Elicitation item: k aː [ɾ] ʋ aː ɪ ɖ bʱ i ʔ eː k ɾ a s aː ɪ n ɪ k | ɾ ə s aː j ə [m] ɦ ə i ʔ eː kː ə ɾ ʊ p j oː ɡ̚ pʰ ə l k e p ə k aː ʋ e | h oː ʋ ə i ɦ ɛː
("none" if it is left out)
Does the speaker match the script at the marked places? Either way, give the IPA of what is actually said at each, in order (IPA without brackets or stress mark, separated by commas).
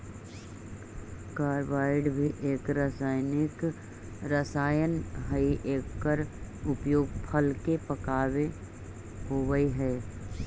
ɾ, n